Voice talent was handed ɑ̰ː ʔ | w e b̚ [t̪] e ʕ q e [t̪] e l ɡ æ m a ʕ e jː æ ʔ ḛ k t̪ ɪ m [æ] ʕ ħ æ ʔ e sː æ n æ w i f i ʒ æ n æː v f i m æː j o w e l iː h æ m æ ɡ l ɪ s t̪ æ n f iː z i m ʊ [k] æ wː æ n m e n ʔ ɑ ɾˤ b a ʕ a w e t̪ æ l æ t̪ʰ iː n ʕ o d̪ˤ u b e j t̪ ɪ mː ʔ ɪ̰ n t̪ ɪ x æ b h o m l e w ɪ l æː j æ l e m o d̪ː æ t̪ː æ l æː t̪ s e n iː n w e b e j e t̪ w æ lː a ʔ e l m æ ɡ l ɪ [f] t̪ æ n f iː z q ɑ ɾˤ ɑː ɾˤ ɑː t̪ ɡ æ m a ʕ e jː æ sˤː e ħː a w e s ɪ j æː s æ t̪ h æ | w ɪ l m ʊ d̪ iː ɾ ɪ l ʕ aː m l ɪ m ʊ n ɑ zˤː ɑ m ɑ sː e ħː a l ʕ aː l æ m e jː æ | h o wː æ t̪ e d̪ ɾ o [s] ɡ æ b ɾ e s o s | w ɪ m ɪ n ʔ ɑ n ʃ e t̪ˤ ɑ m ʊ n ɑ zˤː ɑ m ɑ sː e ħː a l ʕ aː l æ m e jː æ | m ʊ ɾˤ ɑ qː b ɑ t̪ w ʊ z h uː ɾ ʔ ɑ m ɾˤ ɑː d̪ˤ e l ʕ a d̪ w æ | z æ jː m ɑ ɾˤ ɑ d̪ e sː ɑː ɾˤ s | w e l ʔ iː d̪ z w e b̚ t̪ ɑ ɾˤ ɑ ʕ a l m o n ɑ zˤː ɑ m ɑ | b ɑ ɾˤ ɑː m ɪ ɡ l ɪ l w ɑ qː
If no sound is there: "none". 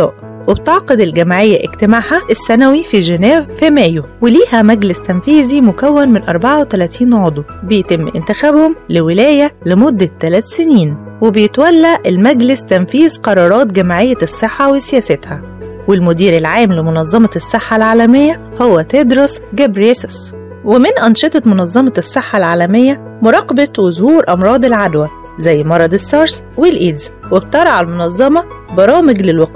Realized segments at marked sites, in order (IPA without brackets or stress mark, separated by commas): t̪, d̪, a, k, s, s